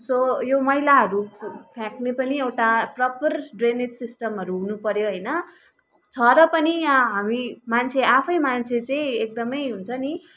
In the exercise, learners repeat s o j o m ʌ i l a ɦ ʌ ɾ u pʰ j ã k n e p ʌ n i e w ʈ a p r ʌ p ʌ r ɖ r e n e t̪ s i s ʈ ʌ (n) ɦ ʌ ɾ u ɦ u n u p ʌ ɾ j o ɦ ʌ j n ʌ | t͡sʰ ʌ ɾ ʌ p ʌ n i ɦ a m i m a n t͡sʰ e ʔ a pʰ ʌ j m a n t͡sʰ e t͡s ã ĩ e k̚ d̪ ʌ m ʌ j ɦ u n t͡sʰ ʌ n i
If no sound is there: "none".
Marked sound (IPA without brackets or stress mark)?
m